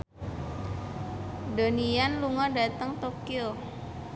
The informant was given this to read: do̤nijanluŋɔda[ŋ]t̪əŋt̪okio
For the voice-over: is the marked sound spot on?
no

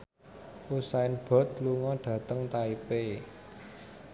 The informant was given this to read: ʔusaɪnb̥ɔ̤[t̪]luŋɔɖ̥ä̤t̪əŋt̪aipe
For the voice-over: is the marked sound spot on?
yes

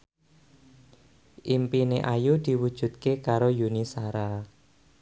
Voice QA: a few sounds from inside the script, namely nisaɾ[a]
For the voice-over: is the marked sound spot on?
yes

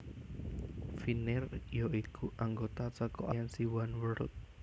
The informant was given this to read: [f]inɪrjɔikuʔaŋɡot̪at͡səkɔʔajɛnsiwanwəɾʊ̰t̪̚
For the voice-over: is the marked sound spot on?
yes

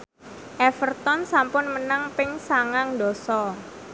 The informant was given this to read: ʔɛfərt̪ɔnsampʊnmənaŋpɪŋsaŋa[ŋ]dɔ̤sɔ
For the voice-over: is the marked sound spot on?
yes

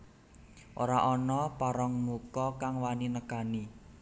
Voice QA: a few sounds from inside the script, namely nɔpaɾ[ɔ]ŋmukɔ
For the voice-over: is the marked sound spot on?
yes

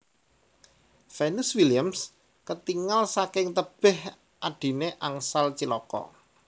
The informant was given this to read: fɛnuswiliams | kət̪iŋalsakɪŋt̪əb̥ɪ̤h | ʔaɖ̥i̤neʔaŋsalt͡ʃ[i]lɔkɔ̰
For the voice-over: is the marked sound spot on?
yes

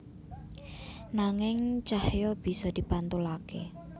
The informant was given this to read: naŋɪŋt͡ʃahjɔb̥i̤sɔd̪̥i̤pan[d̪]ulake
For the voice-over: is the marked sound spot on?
no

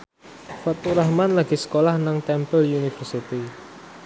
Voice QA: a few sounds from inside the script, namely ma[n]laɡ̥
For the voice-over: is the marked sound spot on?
yes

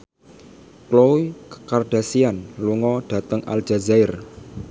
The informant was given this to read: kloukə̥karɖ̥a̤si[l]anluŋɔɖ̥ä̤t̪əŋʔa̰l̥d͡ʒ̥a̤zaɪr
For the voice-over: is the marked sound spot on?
no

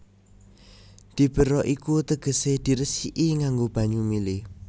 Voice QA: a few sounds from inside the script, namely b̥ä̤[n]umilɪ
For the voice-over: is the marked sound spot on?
no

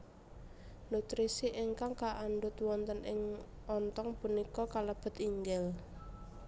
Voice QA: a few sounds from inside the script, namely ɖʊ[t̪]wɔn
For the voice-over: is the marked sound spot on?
yes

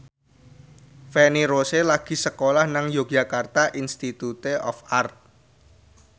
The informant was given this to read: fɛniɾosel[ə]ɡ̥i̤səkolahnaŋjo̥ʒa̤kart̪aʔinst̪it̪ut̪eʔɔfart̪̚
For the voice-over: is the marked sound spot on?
no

